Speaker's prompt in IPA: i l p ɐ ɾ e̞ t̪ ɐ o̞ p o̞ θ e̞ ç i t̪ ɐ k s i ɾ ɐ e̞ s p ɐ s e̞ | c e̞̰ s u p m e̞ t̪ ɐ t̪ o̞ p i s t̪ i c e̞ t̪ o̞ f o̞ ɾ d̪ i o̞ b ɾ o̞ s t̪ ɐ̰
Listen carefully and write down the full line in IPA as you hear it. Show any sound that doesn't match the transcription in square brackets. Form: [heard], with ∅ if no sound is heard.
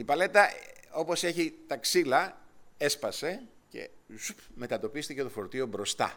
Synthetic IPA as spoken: i [∅] p ɐ [l] e̞ t̪ ɐ o̞ p o̞ [s] e̞ ç i t̪ ɐ k s i [l] ɐ e̞ s p ɐ s e̞ | c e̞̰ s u p m e̞ t̪ ɐ t̪ o̞ p i s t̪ i c e̞ t̪ o̞ f o̞ ɾ [t̪] i o̞ b ɾ o̞ s t̪ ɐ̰